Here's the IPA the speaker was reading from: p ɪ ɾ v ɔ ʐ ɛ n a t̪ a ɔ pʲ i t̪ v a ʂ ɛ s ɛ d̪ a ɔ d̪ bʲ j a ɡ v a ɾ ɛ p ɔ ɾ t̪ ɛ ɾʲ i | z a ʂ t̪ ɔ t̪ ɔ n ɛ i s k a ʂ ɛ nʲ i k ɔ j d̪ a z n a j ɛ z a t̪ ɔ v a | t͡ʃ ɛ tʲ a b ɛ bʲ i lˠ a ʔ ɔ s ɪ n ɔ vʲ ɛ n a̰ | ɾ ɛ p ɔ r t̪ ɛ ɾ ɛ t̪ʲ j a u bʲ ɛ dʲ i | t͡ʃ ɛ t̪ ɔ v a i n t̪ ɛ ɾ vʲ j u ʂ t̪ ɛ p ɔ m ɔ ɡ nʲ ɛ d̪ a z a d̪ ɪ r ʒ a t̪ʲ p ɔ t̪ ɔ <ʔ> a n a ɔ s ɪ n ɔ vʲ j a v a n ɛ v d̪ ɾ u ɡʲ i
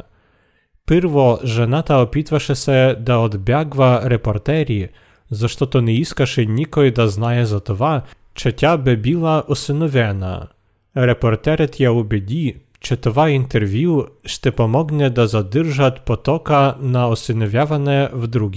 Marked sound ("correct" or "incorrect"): incorrect